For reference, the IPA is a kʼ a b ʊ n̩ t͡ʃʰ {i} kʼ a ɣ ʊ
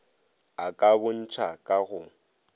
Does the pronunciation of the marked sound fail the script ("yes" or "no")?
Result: yes